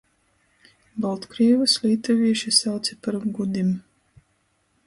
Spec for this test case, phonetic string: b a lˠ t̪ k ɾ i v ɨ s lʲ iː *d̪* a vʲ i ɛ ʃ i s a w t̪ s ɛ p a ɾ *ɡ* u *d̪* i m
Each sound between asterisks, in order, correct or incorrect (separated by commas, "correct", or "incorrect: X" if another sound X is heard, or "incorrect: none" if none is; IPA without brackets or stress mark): incorrect: t̪, correct, correct